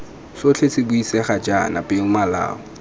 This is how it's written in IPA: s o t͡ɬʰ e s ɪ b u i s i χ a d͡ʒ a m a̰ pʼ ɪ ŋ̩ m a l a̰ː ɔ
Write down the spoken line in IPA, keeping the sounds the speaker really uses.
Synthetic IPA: s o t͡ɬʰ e s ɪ b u i s ɛ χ a d͡ʒ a n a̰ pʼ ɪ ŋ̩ m a l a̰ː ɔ